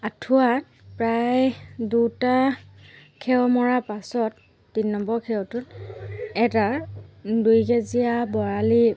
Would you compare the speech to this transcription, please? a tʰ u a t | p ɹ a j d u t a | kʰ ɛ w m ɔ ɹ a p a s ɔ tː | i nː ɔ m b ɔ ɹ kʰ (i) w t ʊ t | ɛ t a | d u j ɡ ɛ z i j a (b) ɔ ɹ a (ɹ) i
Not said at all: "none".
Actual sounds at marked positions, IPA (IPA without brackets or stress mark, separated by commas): ɛ, b, l